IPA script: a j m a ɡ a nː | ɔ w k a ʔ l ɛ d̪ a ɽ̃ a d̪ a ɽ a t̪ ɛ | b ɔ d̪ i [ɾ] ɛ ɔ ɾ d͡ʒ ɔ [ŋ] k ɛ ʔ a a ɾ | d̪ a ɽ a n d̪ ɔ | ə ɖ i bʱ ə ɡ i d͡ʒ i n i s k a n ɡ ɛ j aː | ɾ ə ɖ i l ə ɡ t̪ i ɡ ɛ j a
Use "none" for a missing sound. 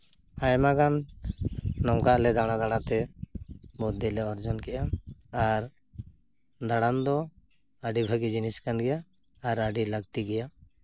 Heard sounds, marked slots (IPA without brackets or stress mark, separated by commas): l, n